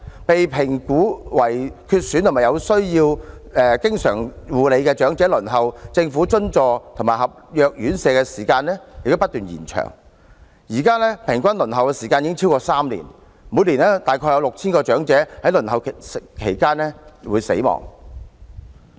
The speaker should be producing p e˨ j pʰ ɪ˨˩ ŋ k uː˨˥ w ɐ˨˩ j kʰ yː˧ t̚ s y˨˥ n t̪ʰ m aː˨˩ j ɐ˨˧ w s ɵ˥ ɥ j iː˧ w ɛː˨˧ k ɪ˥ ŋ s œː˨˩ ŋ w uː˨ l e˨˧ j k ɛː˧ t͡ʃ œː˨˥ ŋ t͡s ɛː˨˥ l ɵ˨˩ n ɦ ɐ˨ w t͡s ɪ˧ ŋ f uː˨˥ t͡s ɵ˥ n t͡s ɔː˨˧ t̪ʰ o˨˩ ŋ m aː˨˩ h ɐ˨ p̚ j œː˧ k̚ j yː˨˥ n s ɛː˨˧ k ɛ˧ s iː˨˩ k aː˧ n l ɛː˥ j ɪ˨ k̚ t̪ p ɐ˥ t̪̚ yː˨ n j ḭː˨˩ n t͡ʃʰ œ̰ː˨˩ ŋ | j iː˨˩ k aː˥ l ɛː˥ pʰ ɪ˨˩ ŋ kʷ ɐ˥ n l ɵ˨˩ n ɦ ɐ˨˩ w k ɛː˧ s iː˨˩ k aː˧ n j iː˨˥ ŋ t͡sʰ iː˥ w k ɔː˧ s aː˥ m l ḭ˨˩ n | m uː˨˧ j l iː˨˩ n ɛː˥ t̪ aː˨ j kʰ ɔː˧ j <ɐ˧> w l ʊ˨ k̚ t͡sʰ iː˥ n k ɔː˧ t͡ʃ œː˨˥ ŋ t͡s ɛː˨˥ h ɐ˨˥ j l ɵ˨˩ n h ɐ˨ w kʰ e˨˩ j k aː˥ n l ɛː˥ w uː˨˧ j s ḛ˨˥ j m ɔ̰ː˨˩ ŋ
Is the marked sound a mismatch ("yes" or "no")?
no